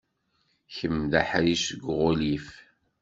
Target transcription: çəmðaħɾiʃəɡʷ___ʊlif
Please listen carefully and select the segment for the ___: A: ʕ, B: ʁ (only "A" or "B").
B